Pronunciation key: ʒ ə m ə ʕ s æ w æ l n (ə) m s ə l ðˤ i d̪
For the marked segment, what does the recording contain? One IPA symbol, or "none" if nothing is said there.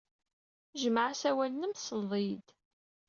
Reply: ə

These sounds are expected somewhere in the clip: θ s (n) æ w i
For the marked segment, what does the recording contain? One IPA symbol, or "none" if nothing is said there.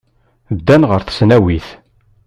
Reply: n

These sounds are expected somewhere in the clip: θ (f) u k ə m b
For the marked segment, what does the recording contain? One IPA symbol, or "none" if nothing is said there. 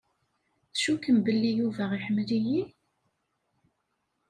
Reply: ʃ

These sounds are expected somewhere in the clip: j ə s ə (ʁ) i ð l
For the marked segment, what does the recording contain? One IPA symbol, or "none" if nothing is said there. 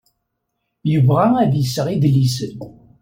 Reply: ʁ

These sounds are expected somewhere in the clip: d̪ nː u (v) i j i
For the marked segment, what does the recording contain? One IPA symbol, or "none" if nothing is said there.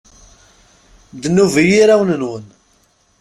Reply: v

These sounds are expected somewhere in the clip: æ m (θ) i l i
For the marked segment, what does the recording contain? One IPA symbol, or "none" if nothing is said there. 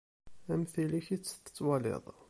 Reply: θ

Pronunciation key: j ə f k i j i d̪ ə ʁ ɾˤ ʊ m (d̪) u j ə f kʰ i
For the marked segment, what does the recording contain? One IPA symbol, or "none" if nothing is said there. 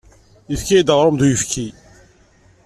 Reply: d̪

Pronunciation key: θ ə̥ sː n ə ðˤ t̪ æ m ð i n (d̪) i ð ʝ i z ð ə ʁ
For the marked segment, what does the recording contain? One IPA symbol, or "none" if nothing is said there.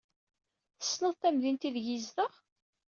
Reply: t̪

